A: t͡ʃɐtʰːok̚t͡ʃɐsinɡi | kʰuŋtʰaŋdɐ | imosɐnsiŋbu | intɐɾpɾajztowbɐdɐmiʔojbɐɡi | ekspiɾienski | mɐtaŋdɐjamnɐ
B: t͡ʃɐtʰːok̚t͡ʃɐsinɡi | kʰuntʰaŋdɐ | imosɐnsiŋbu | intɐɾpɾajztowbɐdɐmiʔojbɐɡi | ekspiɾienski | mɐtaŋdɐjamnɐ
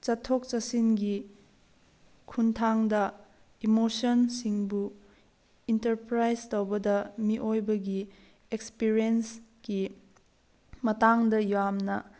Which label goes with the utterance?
B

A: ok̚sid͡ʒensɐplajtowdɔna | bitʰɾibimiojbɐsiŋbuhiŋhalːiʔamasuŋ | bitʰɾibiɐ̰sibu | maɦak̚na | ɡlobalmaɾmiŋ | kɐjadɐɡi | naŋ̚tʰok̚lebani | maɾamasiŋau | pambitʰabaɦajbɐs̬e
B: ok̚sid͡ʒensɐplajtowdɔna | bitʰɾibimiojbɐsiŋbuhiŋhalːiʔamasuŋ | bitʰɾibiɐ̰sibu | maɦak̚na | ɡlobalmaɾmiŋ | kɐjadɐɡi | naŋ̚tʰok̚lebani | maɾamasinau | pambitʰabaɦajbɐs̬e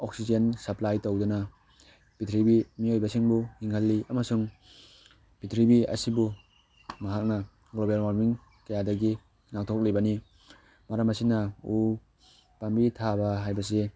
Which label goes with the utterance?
B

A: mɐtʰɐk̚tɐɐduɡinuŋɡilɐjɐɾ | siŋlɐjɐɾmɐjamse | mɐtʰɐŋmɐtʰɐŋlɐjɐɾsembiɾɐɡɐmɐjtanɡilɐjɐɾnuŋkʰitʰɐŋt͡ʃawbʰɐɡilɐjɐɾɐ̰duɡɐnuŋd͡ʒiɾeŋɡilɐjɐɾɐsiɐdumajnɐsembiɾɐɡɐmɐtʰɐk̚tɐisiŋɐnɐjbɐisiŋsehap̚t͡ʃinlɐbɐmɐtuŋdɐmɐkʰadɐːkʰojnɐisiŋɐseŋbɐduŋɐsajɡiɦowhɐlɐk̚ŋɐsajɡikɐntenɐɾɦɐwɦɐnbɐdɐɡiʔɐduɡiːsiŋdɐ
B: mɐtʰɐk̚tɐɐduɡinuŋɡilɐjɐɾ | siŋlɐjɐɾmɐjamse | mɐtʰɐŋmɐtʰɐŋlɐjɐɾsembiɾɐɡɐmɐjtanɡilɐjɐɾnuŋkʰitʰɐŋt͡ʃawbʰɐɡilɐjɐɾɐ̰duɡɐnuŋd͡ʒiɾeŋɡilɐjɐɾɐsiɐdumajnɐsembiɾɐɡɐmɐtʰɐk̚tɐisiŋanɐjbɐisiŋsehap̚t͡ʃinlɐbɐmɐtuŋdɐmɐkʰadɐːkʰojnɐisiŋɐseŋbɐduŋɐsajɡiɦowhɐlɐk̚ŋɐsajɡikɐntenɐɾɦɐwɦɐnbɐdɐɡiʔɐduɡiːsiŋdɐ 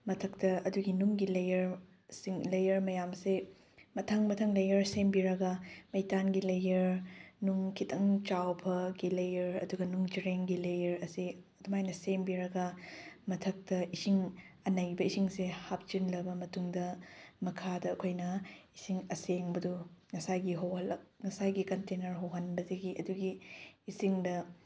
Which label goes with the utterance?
A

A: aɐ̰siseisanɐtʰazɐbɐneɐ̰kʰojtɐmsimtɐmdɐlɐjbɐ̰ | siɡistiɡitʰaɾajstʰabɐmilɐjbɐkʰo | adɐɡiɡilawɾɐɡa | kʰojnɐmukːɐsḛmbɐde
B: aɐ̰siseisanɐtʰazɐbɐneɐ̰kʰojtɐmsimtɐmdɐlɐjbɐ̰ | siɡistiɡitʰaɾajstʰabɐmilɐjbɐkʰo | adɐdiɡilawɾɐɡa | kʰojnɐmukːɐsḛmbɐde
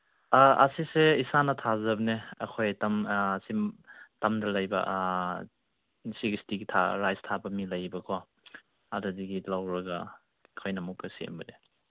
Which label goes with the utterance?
B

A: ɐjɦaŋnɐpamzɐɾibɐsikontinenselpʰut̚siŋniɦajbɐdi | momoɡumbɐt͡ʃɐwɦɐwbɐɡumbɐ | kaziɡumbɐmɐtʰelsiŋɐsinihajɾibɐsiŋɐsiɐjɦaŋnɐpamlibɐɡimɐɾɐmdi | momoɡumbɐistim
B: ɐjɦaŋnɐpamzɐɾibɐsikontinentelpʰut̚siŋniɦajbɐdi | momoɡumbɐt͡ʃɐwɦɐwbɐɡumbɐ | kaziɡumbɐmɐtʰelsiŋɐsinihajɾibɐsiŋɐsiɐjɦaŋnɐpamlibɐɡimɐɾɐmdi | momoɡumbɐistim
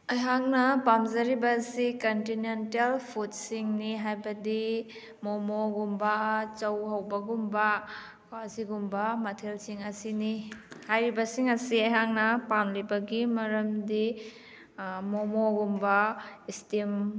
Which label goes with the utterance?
B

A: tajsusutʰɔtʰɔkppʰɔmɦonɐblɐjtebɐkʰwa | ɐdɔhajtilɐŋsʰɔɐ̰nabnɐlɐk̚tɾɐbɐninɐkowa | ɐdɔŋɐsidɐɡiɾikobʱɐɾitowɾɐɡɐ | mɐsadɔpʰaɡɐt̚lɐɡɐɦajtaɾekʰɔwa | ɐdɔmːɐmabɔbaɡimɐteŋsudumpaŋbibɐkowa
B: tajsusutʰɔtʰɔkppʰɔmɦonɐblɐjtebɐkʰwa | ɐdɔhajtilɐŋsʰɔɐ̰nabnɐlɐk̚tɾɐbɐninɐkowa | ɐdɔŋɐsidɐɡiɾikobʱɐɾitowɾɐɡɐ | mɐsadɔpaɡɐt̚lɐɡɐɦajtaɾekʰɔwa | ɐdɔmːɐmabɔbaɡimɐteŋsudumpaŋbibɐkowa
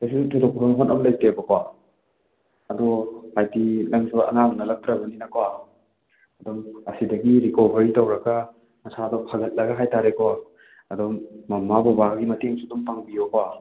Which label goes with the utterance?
A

